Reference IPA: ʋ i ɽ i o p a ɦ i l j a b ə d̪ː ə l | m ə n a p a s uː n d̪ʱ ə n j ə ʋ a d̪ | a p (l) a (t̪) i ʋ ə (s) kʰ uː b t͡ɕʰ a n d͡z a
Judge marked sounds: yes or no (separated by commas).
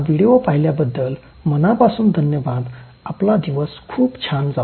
yes, no, yes